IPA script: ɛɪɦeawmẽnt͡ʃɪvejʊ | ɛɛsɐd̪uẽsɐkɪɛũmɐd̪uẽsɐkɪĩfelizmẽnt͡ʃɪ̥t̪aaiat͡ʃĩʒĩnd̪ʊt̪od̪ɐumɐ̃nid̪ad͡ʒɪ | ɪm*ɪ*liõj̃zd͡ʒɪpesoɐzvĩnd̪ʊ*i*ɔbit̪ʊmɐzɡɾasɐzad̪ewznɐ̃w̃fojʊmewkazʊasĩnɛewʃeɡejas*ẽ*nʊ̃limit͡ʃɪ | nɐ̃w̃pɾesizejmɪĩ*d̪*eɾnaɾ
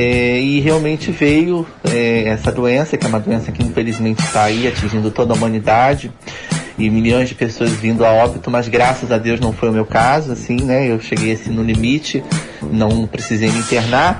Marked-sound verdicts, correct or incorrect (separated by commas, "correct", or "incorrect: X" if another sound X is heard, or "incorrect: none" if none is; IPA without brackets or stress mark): incorrect: i, incorrect: a, incorrect: ĩ, incorrect: t̪